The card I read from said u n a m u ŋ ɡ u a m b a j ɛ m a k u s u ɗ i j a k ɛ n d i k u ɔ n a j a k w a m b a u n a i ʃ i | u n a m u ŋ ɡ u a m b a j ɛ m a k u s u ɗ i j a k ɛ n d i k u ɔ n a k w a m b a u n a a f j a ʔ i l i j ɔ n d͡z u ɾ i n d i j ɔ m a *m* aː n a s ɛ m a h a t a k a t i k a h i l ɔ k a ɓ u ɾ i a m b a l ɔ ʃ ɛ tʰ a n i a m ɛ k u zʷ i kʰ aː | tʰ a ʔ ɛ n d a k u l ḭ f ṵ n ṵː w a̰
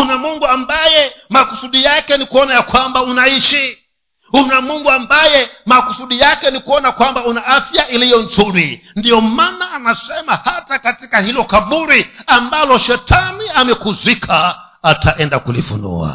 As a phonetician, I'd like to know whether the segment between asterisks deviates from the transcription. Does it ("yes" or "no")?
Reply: yes